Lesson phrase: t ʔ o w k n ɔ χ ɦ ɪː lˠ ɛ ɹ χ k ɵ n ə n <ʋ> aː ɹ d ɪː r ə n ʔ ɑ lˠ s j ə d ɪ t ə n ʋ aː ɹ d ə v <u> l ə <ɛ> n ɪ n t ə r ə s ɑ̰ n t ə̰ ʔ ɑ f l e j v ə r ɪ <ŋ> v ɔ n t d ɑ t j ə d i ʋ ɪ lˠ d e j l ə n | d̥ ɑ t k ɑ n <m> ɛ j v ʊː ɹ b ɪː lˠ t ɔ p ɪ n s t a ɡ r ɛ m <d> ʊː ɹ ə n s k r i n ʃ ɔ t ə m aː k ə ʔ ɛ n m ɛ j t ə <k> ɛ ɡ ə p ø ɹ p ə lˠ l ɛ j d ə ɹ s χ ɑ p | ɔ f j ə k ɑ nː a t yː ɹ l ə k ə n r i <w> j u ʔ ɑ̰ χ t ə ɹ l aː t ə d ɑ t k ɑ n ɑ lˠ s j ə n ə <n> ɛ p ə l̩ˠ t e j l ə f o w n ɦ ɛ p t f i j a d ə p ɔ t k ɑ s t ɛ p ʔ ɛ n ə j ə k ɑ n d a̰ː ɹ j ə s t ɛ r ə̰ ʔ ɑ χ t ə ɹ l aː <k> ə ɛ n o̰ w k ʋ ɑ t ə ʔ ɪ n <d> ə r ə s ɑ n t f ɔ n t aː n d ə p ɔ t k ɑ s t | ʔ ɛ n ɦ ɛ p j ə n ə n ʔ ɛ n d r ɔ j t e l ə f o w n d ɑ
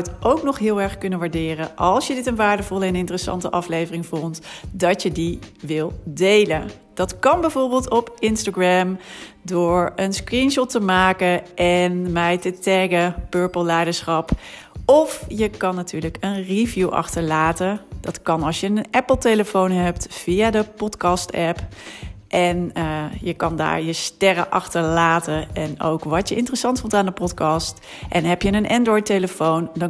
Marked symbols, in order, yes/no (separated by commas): yes, no, yes, yes, no, yes, no, no, yes, no, no